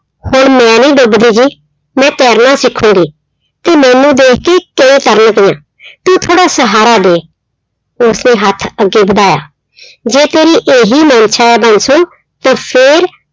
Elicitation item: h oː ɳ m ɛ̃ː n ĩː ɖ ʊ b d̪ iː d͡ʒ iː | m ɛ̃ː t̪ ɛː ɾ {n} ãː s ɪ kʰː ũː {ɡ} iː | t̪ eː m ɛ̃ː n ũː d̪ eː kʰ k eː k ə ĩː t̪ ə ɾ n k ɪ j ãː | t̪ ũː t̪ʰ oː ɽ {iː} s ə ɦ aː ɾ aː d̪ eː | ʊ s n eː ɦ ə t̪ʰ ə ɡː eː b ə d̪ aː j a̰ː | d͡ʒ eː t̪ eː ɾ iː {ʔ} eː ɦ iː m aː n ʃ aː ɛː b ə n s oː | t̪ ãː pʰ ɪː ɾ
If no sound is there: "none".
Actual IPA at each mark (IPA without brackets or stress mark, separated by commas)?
n, ɡ, aː, ʔ